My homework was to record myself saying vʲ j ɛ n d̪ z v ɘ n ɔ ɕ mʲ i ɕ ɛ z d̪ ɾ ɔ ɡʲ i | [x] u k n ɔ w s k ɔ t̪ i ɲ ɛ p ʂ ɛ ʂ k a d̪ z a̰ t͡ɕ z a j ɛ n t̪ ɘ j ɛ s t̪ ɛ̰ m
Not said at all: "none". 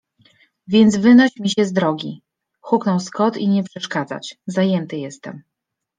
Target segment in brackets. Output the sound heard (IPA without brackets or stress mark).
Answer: x